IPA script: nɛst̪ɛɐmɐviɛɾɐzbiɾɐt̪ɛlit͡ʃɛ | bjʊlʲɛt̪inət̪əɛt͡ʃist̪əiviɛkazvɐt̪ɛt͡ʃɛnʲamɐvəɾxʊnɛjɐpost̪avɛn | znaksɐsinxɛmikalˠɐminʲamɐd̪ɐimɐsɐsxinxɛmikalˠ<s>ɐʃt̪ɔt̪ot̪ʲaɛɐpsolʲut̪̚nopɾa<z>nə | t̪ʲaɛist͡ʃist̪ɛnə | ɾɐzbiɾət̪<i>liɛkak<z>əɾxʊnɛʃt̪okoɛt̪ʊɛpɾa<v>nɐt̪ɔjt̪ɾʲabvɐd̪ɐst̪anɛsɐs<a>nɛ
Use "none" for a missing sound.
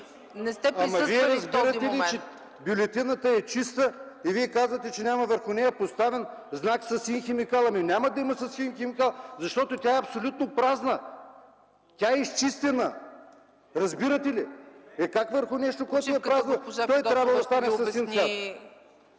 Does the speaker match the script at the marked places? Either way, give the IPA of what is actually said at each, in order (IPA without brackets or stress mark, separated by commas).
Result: z, z, ɛ, v, z, i